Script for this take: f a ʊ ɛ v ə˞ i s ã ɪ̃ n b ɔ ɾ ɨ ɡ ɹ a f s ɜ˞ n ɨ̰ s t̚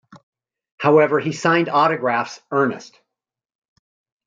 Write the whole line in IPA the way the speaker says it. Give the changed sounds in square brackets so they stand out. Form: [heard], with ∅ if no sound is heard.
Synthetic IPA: [h] a ʊ ɛ v ə˞ i s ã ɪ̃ n [d] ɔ ɾ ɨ ɡ ɹ [æ] f s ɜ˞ n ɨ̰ s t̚